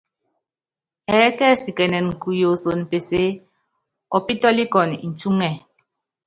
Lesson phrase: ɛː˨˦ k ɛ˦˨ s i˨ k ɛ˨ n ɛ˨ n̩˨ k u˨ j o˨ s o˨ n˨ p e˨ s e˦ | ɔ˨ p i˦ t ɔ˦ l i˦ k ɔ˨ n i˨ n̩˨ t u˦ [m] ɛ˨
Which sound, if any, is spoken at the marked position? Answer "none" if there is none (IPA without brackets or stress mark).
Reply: ŋ